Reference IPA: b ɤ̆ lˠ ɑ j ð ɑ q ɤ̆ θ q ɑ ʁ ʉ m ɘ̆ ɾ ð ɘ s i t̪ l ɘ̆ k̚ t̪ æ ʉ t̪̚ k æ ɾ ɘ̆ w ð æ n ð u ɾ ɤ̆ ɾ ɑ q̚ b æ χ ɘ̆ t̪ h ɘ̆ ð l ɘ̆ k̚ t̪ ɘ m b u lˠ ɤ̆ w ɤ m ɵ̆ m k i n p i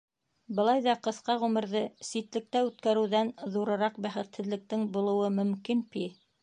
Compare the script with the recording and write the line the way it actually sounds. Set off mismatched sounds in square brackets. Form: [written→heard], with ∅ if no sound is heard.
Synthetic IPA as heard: b ɤ̆ lˠ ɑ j ð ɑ q ɤ̆ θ q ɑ ʁ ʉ m ɘ̆ ɾ ð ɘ s i t̪ l ɘ̆ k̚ t̪ æ ʉ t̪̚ k æ ɾ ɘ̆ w ð æ n ð u ɾ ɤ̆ ɾ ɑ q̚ b æ χ ɘ̆ t̪ h ɘ̆ ð l ɘ̆ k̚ t̪ ɘ [m→ŋ] b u lˠ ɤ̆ w ɤ m ɵ̆ m k i n p i